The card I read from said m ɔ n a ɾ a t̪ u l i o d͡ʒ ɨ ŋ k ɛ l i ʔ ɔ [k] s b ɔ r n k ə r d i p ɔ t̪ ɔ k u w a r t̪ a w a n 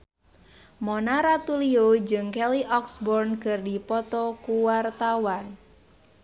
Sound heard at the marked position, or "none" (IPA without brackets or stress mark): k